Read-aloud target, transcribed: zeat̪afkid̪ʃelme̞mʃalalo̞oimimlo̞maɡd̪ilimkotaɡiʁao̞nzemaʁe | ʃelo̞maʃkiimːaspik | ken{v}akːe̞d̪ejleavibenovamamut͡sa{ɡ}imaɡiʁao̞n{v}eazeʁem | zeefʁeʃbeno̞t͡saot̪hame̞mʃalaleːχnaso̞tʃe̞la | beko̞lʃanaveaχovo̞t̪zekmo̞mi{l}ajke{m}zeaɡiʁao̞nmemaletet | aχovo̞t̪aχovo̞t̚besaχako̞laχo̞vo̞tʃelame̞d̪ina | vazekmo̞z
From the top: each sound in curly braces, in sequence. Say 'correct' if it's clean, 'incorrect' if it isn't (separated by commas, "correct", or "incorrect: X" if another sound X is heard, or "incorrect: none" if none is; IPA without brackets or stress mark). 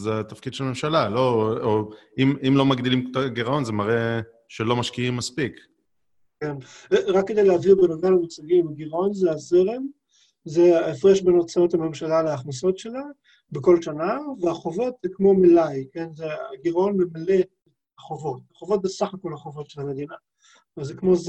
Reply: incorrect: ʁ, correct, incorrect: z, correct, incorrect: n